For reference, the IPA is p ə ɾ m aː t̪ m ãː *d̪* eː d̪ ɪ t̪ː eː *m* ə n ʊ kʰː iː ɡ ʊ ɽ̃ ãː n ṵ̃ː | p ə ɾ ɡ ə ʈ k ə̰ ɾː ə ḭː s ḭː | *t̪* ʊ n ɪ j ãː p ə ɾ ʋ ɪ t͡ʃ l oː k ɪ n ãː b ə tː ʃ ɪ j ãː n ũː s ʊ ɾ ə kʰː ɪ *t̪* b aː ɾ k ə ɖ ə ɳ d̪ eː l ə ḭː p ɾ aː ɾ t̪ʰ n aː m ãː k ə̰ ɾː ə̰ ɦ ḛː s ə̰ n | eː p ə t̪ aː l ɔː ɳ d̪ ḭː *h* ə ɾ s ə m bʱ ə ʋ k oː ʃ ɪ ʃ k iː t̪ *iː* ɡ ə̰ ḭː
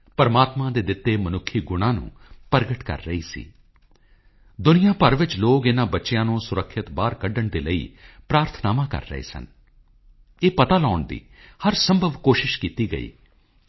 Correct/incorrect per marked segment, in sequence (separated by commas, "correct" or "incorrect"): correct, correct, incorrect, correct, correct, correct